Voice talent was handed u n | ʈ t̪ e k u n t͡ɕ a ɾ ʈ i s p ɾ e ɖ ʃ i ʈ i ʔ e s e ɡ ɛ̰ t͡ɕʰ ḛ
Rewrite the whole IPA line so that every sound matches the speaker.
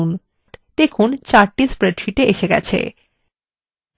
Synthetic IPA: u n | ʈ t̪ e kʰ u n t͡ɕ a ɾ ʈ i s p ɾ e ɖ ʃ i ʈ e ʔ e ʃ e ɡ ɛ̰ t͡ɕʰ ḛ